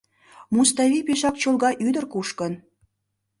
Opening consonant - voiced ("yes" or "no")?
yes